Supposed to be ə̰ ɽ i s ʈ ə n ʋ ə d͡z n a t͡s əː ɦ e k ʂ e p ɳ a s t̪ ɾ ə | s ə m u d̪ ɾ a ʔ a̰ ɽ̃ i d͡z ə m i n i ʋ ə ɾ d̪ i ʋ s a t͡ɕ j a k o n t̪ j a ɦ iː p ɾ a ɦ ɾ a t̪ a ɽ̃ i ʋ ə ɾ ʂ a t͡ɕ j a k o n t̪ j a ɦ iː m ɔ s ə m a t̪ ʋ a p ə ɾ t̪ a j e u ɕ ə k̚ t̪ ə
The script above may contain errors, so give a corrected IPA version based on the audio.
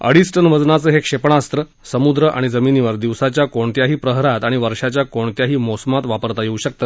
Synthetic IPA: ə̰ ɽ i s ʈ ə n ʋ ə d͡z n a t͡s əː ɦ e k ʂ e p ɳ a s t̪ ɾ ə | s ə m u d̪ ɾ ə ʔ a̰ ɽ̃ i d͡z ə m i n i ʋ ə ɾ d̪ i ʋ s a t͡ɕ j a k o ɳ t̪ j a ɦ iː p ɾ ə ɦ ɾ a t̪ a ɽ̃ i ʋ ə ɾ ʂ a t͡ɕ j a k o ɳ t̪ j a ɦ iː m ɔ s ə m a t̪ ʋ a p ə ɾ t̪ a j e u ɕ ə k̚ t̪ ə